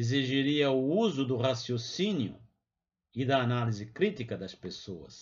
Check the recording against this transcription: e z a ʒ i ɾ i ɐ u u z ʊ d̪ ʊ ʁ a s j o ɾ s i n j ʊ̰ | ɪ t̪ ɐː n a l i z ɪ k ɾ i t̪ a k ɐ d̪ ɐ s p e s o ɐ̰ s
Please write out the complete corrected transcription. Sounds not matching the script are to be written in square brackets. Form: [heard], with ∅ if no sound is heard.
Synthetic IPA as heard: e z [i] ʒ i ɾ i ɐ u u z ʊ d̪ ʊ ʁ a s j o [∅] s i n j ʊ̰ | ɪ [d̪] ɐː n a l i z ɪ k ɾ i t̪ [i] k ɐ d̪ ɐ s p e s o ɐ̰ s